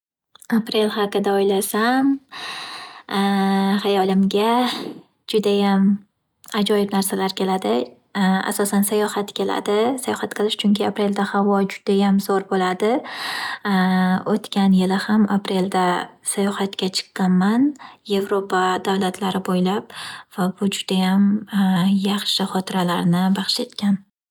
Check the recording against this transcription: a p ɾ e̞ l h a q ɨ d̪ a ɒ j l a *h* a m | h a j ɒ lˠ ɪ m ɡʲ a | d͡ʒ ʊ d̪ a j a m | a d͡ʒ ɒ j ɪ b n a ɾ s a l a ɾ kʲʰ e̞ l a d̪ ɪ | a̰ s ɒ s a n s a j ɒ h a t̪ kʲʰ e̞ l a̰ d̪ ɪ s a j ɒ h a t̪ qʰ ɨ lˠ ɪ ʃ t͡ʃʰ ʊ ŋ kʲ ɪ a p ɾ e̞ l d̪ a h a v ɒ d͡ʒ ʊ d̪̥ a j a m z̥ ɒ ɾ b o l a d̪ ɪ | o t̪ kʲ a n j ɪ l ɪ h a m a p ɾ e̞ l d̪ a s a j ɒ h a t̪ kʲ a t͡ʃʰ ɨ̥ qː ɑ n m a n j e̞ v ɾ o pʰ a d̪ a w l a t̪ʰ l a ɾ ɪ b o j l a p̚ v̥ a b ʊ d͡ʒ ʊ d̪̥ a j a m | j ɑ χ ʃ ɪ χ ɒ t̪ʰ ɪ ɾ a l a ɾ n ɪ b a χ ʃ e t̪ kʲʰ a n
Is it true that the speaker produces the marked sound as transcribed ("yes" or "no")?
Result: no